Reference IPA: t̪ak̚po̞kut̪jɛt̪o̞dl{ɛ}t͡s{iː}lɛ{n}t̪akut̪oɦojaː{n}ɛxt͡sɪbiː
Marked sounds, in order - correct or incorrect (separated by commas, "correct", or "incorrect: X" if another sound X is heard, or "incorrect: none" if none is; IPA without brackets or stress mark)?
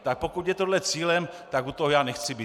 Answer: correct, correct, incorrect: m, correct